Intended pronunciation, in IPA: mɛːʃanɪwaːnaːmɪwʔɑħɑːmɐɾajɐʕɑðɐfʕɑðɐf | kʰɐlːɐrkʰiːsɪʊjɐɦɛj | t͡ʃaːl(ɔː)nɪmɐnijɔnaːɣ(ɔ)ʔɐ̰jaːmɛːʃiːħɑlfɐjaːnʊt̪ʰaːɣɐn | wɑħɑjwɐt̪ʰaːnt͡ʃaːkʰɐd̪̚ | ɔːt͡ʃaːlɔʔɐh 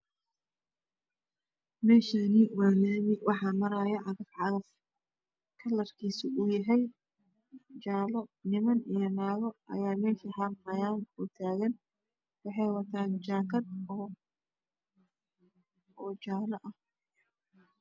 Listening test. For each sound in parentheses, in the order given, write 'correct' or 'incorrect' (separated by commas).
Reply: incorrect, correct